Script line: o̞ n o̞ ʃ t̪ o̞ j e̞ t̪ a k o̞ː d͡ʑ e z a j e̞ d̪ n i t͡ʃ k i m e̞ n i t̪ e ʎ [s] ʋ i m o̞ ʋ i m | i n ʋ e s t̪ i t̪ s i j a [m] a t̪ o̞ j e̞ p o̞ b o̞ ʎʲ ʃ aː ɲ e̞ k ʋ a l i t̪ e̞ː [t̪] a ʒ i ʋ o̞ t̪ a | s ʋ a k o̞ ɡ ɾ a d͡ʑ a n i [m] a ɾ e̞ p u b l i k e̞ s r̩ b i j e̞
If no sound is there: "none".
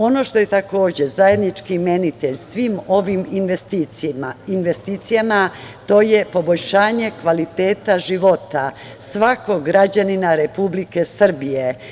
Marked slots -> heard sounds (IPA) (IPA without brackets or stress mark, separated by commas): s, m, t̪, n